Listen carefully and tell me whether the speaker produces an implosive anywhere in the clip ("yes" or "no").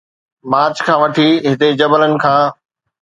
no